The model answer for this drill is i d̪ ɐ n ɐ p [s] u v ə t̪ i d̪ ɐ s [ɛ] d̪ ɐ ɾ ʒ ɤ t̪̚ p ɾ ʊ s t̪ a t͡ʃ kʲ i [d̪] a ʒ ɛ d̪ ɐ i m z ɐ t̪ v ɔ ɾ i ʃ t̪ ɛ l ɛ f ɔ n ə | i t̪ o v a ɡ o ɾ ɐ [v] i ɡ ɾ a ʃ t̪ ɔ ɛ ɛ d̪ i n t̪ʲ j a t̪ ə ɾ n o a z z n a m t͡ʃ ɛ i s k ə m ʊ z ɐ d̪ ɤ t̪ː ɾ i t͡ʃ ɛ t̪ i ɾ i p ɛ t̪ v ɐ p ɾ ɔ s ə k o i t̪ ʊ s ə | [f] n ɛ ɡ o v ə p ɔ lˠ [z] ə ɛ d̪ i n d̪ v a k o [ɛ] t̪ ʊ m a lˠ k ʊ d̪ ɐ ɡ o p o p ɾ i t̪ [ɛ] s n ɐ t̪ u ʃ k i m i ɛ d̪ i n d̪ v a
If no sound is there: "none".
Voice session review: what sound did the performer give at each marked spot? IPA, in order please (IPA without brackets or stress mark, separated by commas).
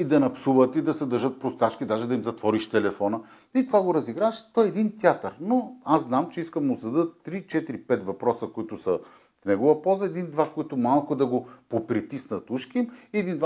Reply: s, ɛ, d̪, z, f, z, i, i